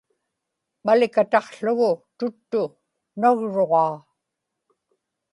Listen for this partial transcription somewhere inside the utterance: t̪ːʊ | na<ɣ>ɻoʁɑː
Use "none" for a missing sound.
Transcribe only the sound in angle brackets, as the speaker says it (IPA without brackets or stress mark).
ɣ